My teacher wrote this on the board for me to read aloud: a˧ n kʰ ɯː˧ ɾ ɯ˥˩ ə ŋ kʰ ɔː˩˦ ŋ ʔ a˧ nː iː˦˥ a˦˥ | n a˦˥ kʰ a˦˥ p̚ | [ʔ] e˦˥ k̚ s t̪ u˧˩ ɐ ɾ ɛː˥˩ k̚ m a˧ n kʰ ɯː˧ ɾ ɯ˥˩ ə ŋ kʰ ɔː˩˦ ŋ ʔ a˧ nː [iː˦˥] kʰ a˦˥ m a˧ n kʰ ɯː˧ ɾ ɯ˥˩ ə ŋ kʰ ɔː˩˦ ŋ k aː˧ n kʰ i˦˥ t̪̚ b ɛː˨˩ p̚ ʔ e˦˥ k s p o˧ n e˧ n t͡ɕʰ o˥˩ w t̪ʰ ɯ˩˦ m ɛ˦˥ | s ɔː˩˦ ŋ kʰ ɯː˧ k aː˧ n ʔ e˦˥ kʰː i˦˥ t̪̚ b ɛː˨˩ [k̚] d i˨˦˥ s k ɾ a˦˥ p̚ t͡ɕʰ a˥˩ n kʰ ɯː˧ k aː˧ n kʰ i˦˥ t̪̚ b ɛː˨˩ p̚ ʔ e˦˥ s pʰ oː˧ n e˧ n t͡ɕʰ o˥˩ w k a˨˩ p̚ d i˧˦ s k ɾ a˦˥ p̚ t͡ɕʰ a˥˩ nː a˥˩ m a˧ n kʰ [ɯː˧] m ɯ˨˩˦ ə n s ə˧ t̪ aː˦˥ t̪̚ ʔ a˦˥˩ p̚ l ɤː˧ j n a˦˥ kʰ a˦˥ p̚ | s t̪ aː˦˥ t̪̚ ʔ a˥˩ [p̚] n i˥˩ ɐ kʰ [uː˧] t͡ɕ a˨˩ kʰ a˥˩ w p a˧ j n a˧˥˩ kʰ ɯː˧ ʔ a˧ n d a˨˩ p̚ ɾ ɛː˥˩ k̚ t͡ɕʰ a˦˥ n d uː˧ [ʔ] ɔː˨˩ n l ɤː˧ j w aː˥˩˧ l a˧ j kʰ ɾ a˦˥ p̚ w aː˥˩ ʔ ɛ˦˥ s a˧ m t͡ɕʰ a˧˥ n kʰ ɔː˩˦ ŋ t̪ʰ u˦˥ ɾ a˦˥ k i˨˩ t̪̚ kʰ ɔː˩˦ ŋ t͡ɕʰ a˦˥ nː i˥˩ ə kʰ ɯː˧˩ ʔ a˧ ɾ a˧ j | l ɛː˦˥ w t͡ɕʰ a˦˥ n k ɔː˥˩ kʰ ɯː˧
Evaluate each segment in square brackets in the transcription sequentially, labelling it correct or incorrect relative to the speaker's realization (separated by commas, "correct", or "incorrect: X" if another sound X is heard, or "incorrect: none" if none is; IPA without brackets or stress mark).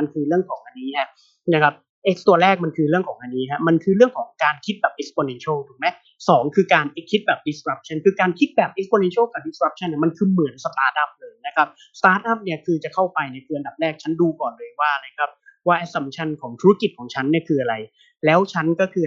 correct, correct, incorrect: p̚, correct, correct, incorrect: ɯː˧, incorrect: k